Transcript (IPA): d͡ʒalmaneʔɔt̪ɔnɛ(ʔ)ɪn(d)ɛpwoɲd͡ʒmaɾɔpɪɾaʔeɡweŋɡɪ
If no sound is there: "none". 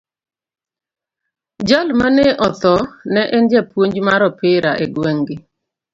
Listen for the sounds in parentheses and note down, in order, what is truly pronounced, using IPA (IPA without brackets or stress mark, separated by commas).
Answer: ʔ, d͡ʒ